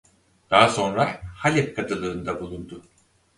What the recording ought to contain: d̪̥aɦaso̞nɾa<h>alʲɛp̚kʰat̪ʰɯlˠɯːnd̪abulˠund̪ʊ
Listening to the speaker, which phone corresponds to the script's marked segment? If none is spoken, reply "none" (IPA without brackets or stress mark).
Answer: h